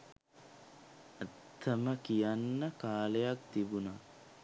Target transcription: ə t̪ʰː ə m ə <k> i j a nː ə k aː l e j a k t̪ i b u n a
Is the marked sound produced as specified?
yes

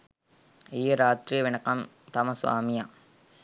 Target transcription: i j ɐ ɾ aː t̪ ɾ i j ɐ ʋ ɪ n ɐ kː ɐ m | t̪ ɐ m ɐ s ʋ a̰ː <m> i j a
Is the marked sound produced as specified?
yes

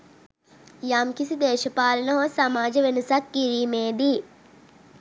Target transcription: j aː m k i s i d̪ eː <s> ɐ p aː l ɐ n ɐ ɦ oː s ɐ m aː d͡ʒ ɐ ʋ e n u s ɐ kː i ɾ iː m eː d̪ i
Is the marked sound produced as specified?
no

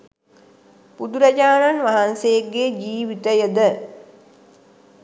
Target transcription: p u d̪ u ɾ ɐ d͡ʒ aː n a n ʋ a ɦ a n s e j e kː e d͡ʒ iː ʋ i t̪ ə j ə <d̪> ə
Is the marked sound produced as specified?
yes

